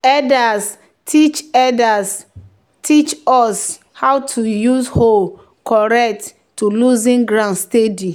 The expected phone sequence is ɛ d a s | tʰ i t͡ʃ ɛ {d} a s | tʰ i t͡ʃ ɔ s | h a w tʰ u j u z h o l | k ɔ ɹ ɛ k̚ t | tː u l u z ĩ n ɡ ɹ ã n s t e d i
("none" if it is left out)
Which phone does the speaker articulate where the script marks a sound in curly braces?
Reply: d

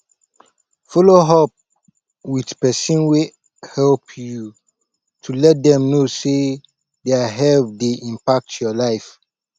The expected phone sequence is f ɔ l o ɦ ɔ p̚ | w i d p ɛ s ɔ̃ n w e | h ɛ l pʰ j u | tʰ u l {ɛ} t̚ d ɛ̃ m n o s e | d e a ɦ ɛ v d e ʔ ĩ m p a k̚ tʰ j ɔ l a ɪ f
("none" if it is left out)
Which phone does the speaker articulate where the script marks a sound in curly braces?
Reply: ɛ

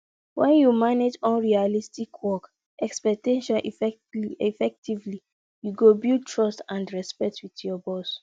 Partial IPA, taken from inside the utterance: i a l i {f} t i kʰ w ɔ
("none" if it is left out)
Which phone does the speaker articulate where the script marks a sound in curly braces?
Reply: s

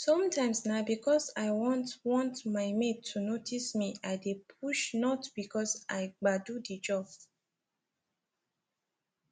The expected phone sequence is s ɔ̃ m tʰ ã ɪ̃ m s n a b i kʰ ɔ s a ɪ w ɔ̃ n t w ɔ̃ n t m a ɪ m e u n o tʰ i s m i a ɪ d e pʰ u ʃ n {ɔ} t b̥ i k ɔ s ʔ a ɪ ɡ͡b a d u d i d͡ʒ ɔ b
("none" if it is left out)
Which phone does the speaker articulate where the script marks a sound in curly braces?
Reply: ɔ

